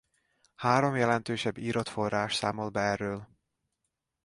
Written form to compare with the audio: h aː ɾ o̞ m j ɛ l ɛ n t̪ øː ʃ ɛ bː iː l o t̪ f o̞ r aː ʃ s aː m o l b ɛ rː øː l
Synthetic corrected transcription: h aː ɾ o̞ m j ɛ l ɛ n t̪ øː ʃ ɛ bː iː ɾ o t̪ f o̞ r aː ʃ s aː m o l b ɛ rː øː l